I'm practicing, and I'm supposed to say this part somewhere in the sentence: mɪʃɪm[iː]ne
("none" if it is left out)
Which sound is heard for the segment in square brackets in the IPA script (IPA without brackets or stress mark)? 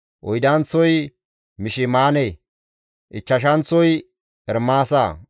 aː